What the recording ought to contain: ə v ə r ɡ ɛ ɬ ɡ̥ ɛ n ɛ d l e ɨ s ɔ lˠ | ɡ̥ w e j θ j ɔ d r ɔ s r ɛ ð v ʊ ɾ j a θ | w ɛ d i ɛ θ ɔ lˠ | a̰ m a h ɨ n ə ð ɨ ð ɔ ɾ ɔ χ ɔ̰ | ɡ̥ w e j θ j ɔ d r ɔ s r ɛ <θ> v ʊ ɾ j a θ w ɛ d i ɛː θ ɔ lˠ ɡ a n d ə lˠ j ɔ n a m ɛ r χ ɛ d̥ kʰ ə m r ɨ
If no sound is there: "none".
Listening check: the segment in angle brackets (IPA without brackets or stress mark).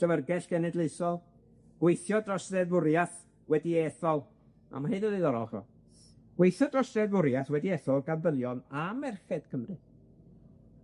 ð